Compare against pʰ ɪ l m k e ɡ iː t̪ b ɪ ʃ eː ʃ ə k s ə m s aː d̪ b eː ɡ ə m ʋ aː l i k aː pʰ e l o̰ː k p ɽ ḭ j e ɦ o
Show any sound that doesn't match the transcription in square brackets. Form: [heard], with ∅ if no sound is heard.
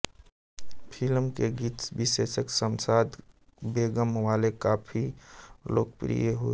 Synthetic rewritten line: pʰ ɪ l m k e ɡ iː t̪ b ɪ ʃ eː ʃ ə k s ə m s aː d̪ b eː ɡ ə m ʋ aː l [e] k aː pʰ [i] l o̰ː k p [ɾ] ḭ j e ɦ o

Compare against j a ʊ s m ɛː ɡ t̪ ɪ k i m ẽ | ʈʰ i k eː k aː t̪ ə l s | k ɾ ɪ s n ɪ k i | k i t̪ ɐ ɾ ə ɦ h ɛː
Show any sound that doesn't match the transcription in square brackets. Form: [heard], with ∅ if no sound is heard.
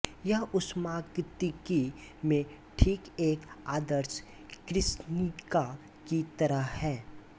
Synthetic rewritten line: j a ʊ s m [aː] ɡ t̪ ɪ k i m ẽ | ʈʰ [iː] k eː k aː [d̪] ə [ɾ] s | k ɾ ɪ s n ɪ k [a] | k i t̪ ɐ ɾ ə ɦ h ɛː

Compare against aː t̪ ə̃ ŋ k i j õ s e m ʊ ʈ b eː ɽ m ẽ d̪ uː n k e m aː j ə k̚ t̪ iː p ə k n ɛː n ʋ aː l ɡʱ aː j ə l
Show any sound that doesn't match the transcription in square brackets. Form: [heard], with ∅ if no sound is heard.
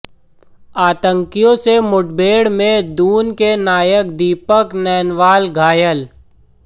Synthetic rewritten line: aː t̪ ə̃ ŋ k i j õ s e m ʊ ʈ b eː ɽ m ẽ d̪ uː n k e [n] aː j ə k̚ [d̪] iː p ə k n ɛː n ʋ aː l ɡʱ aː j ə l

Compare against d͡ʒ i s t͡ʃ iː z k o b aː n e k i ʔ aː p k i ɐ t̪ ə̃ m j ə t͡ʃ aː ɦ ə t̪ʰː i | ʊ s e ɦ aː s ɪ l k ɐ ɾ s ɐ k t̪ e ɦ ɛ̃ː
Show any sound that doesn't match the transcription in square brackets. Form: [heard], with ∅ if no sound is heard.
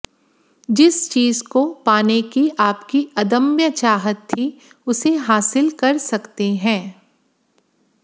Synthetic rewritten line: d͡ʒ [ɪ] s t͡ʃ iː z k o [p] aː n e k i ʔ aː p k i ɐ [d̪] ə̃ m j ə t͡ʃ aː ɦ ə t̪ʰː i | ʊ s e ɦ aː s ɪ l k ɐ ɾ s ɐ k t̪ e ɦ ɛ̃ː

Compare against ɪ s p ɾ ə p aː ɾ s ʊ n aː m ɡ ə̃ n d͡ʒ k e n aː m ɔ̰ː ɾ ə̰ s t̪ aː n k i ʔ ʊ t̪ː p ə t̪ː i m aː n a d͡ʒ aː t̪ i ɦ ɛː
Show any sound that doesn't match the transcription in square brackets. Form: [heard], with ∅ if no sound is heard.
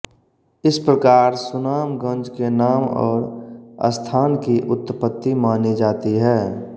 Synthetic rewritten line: ɪ s p ɾ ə [k] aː ɾ s ʊ n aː m ɡ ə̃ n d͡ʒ k e n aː m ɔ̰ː ɾ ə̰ s [t̪ʰ] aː n k i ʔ ʊ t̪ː p ə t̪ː i m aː n [i] d͡ʒ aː t̪ i ɦ ɛː

